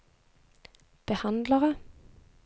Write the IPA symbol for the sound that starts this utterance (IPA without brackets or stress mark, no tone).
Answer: b̥